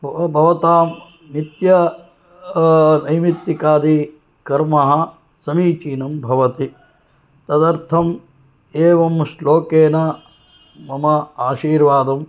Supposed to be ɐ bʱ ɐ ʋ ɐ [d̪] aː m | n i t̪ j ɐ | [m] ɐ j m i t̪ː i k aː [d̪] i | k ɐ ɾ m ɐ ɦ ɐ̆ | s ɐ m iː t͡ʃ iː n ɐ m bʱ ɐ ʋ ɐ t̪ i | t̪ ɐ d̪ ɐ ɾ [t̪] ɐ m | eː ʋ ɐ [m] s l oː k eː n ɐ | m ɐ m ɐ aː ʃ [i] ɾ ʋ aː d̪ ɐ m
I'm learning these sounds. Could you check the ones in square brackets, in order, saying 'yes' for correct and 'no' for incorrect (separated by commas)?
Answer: no, no, yes, no, yes, no